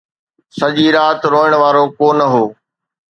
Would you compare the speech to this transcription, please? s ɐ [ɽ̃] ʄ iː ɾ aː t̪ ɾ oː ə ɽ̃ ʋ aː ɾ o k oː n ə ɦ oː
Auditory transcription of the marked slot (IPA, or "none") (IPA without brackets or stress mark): none